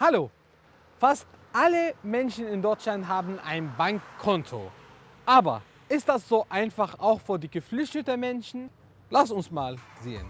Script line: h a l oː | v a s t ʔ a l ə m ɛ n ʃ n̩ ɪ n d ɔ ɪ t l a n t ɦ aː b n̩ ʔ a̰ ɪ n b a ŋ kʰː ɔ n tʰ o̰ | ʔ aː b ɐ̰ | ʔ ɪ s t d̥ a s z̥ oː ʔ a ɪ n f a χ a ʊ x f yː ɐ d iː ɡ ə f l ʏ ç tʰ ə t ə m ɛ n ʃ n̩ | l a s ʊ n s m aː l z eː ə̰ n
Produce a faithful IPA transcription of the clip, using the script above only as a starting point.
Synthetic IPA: h a l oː | f a s t ʔ a l ə m ɛ n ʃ n̩ ɪ n d ɔ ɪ t͡ʃ l a n t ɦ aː b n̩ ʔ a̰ ɪ n b a ŋ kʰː ɔ n tʰ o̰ | ʔ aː b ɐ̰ | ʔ ɪ s t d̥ a s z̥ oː ʔ a ɪ n f a χ a ʊ x f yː ɐ d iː ɡ ə f l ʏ ç t ə t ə m ɛ n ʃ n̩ | l a s ʊ n s m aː l z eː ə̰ n